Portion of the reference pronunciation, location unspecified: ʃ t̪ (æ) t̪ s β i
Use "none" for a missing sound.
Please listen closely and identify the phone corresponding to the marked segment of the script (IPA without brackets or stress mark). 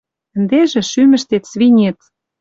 e